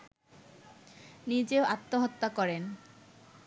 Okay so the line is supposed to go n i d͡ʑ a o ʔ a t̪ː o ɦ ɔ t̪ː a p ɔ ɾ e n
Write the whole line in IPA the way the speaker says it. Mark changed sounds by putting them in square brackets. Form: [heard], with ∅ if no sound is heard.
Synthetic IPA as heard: n i d͡ʑ [e] o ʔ a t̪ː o ɦ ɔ t̪ː a [k] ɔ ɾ e n